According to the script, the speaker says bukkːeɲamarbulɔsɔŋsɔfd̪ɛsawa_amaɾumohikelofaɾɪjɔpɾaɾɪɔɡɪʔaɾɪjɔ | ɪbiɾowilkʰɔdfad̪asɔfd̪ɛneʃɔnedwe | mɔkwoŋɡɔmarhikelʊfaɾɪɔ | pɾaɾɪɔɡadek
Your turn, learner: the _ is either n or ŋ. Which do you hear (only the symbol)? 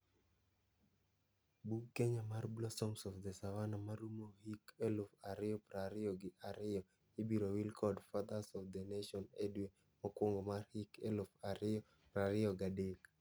n